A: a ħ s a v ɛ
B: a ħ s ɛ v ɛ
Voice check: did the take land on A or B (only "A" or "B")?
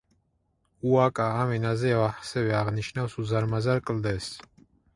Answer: B